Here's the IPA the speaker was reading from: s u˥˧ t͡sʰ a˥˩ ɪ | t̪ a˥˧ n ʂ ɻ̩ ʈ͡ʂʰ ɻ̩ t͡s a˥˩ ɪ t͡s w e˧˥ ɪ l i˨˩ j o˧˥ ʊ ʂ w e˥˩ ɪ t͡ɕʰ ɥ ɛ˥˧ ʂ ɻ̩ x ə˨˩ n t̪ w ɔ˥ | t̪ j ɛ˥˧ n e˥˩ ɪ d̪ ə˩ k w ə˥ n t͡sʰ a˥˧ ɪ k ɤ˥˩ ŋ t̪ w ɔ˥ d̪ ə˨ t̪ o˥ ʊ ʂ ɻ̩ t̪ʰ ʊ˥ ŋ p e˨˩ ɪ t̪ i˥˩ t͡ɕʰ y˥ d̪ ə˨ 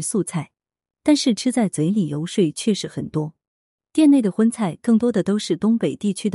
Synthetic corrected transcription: s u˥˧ t͡sʰ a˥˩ ɪ | t̪ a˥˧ n ʂ ɻ̩ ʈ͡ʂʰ ɻ̩ t͡s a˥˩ ɪ t͡s w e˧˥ ɪ l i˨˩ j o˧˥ ʊ ʂ w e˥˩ ɪ t͡ɕʰ ɥ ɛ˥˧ ʂ ɻ̩ x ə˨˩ n t̪ w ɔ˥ | t̪ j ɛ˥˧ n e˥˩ ɪ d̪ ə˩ x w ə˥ n t͡sʰ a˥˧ ɪ k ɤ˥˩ ŋ t̪ w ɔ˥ d̪ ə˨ t̪ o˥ ʊ ʂ ɻ̩ t̪ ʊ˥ ŋ p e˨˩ ɪ t̪ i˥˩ t͡ɕʰ y˥ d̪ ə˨